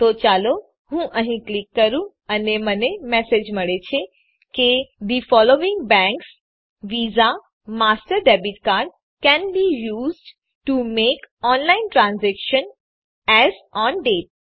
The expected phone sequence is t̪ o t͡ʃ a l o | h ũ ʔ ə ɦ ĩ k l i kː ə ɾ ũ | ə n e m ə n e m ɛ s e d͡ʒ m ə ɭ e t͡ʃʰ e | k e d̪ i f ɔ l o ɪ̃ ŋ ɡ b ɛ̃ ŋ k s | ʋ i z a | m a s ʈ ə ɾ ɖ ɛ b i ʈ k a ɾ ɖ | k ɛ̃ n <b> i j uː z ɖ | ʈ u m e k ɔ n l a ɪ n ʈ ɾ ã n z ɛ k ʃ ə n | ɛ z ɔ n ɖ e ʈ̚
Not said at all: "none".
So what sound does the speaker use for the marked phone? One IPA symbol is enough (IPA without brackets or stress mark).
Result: b